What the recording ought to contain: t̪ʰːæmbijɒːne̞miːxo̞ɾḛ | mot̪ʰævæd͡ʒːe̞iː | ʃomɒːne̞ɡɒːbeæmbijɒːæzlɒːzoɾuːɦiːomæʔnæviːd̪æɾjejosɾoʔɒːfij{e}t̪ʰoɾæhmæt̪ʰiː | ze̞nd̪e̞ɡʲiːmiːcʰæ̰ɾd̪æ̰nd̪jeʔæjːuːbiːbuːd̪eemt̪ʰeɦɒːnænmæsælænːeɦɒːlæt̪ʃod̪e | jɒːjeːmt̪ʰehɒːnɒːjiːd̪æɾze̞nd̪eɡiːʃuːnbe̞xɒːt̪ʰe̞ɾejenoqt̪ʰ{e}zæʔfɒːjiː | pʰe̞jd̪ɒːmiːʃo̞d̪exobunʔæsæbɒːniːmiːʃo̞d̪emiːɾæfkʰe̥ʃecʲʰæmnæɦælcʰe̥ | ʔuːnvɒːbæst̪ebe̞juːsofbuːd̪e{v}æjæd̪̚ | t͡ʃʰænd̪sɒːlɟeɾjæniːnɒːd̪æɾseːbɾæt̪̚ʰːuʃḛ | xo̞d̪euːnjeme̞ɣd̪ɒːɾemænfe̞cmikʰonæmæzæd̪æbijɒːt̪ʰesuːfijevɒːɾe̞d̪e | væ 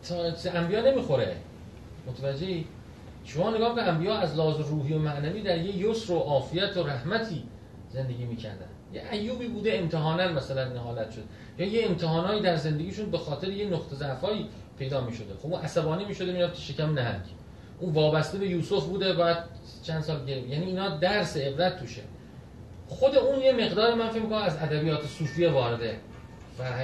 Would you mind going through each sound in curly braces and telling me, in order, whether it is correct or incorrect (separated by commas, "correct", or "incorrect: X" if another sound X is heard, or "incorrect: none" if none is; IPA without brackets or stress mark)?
incorrect: æ, correct, incorrect: b